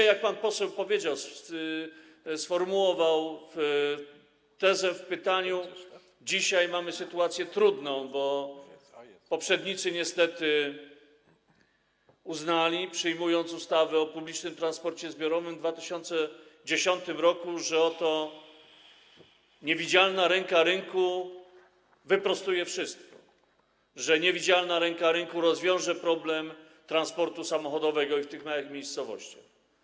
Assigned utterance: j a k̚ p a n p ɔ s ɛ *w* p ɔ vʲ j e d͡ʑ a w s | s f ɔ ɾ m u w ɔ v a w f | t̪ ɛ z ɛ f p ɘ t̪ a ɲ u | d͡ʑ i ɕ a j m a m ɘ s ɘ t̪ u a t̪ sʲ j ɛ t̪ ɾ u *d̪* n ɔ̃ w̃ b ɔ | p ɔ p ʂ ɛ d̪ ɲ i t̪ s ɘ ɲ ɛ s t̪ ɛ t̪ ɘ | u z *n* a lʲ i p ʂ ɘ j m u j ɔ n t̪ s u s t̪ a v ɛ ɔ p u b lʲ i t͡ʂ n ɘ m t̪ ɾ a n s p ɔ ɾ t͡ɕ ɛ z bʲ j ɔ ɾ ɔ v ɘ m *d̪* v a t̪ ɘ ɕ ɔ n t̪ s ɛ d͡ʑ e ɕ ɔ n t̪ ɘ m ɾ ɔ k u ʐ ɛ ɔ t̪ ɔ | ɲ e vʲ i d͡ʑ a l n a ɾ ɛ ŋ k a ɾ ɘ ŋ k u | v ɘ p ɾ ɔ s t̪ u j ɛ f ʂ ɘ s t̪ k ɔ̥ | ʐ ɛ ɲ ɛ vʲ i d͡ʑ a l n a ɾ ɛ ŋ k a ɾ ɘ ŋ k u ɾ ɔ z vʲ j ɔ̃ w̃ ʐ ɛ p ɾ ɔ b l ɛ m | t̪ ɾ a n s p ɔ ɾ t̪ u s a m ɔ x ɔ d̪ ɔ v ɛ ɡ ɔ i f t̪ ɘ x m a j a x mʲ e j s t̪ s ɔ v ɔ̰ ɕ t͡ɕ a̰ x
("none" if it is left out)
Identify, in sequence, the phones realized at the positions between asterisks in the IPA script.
w, d̪, n, d̪

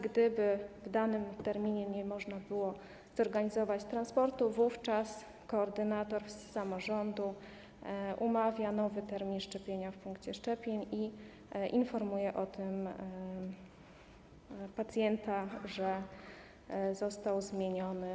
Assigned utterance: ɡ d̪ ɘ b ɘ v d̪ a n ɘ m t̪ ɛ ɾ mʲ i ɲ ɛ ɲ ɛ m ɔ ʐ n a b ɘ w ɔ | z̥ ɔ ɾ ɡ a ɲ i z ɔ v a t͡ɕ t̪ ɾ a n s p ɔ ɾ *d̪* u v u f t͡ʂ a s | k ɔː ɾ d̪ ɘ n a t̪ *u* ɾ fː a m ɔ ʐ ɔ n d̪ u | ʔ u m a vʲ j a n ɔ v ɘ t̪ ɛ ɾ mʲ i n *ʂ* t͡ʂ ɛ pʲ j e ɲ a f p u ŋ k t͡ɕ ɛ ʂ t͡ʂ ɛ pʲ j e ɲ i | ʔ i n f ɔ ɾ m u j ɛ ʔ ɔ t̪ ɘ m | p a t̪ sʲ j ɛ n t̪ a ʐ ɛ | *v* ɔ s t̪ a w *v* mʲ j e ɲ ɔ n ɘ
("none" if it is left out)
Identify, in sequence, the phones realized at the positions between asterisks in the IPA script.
t̪, ɔ, ʂ, z, z

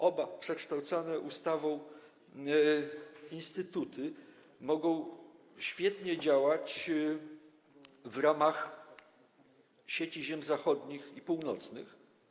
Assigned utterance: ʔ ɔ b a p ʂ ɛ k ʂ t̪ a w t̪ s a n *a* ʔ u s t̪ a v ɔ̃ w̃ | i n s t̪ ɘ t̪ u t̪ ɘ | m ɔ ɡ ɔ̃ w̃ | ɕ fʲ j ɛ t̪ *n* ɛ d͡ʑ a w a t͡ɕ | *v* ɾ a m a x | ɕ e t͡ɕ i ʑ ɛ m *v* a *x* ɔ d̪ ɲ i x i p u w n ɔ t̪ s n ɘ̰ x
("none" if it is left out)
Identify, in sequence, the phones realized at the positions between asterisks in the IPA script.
ɛ, ɲ, v, z, x

